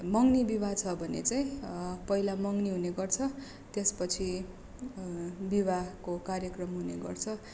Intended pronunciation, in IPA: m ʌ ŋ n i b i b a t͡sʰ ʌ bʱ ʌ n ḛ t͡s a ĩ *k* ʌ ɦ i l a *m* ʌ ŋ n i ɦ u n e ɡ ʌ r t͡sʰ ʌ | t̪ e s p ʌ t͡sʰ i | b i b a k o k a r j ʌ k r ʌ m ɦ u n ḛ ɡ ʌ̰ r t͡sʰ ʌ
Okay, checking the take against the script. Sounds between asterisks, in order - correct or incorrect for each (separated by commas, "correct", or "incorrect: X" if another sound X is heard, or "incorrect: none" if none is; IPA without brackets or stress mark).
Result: incorrect: p, correct